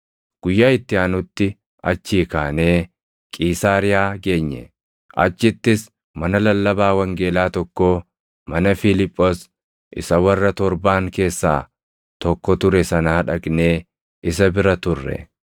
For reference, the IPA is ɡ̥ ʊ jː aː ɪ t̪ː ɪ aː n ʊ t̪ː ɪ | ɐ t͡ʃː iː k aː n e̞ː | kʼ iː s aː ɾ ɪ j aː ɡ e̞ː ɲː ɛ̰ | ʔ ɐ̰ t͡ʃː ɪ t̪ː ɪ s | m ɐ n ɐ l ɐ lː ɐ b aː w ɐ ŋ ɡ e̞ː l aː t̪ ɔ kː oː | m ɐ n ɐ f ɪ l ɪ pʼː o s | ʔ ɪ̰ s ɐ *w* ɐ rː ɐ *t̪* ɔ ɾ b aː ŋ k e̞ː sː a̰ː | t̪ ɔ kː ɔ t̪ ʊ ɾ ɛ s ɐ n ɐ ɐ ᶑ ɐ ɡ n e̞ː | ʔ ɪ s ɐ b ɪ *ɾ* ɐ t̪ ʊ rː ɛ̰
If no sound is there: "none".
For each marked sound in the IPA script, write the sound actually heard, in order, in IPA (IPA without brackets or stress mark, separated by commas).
w, t̪, ɾ